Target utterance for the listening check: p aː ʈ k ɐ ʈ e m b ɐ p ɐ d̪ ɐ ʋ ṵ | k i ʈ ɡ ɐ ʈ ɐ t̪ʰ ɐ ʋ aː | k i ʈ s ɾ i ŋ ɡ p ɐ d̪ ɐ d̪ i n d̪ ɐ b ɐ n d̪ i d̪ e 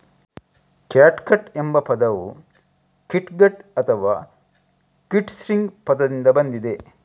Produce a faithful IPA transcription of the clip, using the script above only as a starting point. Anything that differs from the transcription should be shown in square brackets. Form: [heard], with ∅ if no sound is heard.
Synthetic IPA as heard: [k] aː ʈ k ɐ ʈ e m b ɐ p ɐ d̪ ɐ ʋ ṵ | k i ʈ ɡ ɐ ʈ ɐ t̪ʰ ɐ ʋ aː | k i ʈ s ɾ i ŋ ɡ p ɐ d̪ ɐ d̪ i n d̪ ɐ b ɐ n d̪ i d̪ e